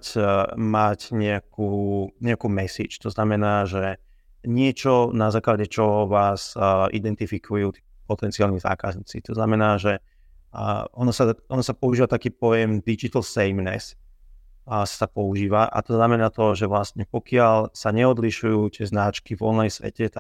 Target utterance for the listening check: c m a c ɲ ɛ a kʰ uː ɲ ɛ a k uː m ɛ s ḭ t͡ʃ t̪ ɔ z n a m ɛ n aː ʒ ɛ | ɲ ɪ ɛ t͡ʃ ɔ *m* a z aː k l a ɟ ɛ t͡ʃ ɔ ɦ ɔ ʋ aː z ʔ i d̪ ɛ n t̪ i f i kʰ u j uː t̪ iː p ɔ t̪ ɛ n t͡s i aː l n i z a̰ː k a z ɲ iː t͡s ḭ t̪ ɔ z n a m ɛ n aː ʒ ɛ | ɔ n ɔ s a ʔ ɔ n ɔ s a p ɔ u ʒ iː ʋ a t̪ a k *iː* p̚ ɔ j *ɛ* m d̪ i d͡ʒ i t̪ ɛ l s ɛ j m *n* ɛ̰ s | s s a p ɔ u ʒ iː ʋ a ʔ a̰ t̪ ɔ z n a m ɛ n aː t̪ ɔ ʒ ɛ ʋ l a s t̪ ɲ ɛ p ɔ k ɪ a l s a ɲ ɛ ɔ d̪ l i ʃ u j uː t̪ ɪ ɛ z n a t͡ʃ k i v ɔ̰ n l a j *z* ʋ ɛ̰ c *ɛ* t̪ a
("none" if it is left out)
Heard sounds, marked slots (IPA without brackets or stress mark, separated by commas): n, iː, ɛ, n, s, ɛ